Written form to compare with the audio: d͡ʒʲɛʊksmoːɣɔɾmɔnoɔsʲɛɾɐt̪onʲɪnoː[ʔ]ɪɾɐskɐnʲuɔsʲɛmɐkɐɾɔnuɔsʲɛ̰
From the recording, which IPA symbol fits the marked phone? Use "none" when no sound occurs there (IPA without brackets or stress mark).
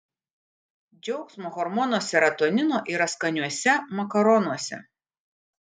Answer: ʔ